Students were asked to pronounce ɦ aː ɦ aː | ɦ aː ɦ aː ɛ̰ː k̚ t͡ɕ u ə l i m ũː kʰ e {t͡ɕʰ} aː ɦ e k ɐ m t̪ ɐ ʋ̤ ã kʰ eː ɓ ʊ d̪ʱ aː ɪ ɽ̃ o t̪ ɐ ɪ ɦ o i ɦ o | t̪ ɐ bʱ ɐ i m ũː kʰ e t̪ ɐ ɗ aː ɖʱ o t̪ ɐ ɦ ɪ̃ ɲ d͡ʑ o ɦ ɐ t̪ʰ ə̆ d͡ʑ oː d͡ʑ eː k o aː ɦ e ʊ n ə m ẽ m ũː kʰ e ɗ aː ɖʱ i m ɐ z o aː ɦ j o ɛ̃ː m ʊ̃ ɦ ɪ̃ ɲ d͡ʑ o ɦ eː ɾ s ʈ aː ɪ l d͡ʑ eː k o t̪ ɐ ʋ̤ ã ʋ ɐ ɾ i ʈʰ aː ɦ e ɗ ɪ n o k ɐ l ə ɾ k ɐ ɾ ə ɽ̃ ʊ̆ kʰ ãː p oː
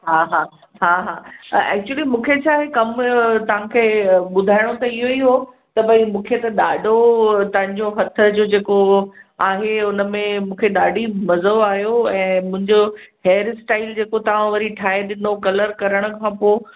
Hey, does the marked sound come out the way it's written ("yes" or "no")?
yes